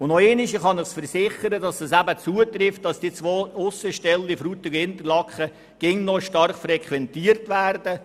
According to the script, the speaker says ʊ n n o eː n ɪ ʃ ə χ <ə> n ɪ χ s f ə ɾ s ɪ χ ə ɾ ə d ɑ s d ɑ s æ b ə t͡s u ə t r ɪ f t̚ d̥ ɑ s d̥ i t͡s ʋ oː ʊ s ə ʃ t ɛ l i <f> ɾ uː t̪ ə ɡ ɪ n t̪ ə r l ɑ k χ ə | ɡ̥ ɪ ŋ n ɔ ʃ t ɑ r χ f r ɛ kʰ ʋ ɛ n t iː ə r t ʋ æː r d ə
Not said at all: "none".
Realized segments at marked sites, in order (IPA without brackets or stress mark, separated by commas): ɑ, f